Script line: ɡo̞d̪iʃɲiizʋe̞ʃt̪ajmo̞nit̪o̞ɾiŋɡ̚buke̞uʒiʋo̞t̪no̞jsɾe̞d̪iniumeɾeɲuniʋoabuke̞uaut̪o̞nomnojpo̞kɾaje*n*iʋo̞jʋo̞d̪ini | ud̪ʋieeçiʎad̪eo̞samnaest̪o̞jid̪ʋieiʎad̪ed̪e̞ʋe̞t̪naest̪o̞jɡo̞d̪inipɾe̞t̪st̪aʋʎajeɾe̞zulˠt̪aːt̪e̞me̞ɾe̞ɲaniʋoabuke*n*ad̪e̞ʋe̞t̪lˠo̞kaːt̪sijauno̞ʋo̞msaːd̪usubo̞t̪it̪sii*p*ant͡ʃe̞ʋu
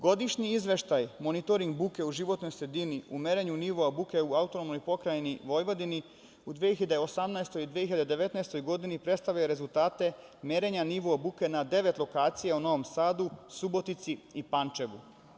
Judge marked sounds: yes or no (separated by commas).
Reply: yes, yes, yes